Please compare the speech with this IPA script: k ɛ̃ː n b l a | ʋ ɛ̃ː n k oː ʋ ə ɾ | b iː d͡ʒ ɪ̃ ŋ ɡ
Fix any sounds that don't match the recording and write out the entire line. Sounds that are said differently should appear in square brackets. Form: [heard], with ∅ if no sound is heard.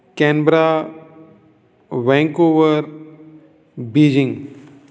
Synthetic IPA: k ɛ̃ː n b [ɾ] a | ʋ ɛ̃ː [ŋ] k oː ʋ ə ɾ | b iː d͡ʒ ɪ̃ ŋ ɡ

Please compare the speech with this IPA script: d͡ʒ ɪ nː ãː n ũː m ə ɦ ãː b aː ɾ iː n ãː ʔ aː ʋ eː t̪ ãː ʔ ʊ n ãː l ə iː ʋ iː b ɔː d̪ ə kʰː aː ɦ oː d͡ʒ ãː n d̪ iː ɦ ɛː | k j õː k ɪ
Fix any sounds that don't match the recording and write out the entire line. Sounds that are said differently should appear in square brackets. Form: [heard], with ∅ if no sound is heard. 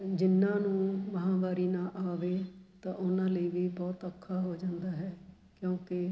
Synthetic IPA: d͡ʒ ɪ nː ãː n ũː m ə ɦ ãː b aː ɾ iː n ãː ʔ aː ʋ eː t̪ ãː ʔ ʊ n ãː l ə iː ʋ iː b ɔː [t̪] ə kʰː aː ɦ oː d͡ʒ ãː n d̪ [aː] ɦ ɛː | k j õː k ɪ

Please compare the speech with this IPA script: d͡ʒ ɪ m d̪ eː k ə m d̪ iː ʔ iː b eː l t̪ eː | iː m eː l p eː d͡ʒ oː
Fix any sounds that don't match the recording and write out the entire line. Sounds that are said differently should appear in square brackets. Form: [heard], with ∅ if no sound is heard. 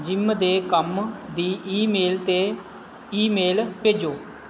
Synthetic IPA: d͡ʒ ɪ m d̪ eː k ə m d̪ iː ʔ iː [m] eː l t̪ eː | iː m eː l p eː d͡ʒ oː

